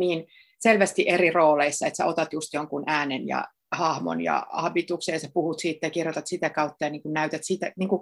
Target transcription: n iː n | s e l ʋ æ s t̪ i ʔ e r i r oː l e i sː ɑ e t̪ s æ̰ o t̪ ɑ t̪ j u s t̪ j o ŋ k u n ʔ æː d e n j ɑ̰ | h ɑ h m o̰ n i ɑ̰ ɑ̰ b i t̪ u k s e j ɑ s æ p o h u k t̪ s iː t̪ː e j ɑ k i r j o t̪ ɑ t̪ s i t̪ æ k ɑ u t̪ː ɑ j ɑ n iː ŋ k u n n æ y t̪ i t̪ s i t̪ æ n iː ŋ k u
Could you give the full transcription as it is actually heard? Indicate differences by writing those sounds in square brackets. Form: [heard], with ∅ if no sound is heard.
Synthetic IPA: n iː n | s e l ʋ æ s t̪ i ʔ e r i r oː l e i sː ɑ e t̪ s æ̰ o t̪ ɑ t̪ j u s t̪ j o ŋ k u n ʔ æː [n] e n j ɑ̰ | h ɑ h m o̰ n [j] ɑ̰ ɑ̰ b i t̪ u k s e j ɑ s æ p [u] h u [∅] t̪ s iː t̪ː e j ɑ k i r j o t̪ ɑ t̪ s i t̪ æ k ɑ u t̪ː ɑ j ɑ n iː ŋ k u n n æ y t̪ [æ] t̪ s i t̪ æ n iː ŋ k u